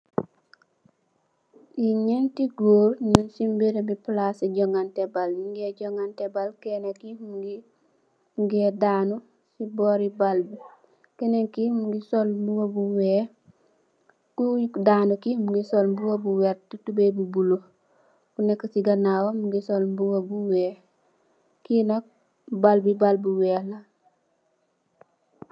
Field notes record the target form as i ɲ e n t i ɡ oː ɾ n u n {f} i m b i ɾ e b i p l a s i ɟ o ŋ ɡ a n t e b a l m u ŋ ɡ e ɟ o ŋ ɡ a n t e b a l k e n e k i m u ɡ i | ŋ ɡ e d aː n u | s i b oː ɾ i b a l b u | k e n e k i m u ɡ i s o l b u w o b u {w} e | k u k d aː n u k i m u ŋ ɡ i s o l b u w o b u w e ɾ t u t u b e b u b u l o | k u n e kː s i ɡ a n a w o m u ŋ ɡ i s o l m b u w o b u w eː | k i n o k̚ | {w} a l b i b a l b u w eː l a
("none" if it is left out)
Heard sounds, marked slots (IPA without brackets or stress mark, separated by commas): s, w, b